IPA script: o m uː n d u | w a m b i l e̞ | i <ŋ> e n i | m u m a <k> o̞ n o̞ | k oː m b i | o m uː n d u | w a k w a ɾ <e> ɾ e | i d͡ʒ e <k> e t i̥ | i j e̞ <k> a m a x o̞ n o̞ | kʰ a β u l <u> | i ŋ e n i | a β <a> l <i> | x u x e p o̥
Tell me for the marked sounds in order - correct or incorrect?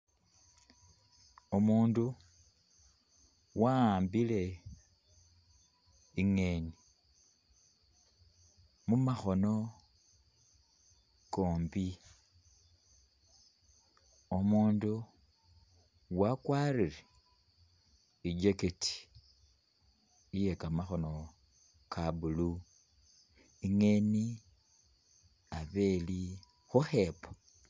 correct, incorrect: x, incorrect: i, correct, correct, correct, incorrect: e, correct

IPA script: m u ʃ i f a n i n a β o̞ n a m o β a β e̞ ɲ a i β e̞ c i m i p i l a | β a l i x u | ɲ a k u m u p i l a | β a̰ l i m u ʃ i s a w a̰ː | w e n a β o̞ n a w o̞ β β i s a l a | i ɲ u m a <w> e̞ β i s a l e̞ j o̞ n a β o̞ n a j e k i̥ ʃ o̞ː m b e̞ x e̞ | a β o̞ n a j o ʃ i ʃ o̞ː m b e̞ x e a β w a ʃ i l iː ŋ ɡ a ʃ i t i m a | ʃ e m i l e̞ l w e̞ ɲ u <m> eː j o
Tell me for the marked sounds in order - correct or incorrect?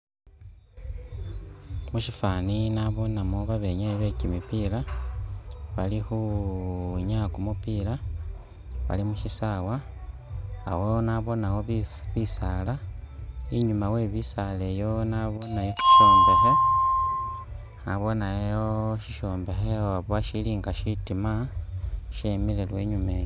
correct, correct

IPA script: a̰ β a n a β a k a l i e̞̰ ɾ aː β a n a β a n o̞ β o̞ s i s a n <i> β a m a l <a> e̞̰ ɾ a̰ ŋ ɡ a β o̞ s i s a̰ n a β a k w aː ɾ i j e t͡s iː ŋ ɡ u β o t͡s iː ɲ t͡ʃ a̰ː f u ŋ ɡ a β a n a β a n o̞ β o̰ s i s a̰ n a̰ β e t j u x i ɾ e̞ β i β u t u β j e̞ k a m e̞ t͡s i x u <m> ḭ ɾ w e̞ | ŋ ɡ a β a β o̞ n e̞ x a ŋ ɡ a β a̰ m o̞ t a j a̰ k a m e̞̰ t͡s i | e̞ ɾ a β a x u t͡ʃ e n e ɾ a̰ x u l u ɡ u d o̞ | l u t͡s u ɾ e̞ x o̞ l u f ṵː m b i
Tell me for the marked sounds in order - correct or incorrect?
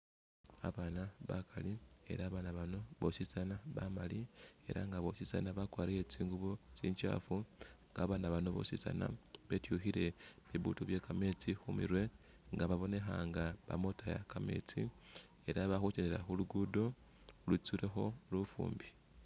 incorrect: a, incorrect: i, correct

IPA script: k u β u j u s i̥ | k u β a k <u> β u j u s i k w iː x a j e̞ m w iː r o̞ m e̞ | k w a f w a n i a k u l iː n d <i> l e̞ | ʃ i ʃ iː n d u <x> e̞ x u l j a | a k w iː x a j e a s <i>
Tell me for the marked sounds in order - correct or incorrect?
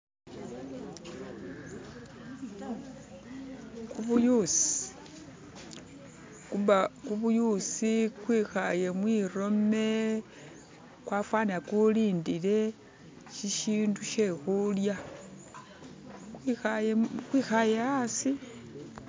correct, correct, incorrect: ʃ, correct

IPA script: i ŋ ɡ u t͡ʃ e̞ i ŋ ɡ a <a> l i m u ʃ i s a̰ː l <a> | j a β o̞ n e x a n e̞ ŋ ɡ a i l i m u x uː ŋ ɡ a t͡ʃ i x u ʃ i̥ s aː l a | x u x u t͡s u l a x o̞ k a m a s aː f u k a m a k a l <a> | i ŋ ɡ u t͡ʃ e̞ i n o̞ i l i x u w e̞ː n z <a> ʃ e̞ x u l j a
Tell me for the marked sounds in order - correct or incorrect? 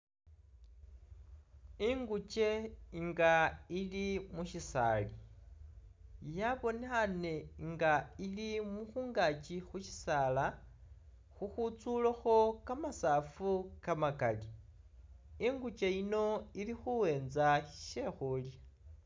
incorrect: i, incorrect: i, incorrect: i, correct

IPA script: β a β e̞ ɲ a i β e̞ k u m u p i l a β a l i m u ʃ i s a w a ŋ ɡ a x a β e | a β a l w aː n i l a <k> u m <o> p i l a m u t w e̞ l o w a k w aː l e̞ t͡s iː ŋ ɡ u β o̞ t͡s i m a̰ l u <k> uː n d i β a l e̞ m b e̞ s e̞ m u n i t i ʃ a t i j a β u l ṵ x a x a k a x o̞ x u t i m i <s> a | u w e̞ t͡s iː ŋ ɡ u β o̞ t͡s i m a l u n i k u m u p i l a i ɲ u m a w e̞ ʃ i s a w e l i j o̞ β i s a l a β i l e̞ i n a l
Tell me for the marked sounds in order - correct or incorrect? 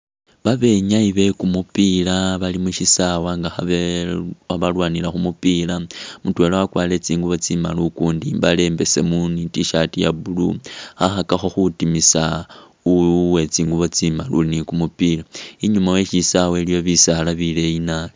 incorrect: x, incorrect: u, correct, correct

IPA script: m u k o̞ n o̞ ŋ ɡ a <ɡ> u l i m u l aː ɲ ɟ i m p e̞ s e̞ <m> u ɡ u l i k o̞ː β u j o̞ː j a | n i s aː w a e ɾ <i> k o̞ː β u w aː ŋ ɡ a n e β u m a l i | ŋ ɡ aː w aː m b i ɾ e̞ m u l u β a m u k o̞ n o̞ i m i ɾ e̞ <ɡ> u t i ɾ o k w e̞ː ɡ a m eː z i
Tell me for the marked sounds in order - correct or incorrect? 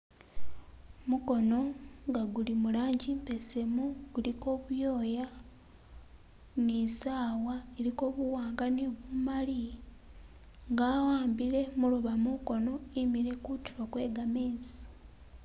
correct, correct, correct, incorrect: k

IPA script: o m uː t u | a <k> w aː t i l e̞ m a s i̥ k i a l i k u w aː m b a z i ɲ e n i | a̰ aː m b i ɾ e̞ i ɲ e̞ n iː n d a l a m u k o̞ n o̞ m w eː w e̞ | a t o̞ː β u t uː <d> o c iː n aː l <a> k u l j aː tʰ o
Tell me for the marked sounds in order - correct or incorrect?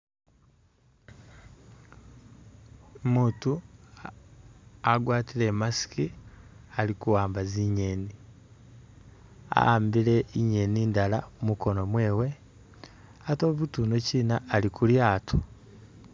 incorrect: ɡ, incorrect: n, incorrect: i

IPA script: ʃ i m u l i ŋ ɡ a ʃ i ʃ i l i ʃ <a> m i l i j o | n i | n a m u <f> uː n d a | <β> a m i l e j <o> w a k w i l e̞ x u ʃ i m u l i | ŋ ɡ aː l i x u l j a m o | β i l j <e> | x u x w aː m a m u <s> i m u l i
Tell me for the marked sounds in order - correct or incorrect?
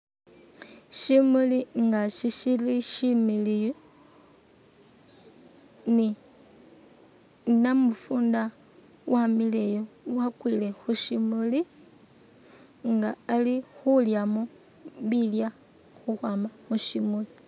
incorrect: i, correct, incorrect: w, correct, incorrect: a, incorrect: ʃ

